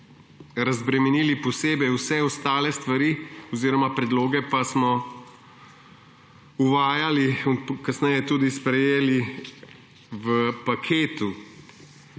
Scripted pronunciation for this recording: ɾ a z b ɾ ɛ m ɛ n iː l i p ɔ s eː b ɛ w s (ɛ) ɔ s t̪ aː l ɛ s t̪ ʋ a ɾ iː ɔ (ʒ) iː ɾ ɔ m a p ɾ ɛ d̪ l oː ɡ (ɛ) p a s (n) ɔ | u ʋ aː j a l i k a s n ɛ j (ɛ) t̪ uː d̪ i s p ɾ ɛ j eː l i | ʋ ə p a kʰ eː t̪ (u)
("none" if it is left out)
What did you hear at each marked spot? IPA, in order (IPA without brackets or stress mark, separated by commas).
ɛ, z, ɛ, m, ɛ, u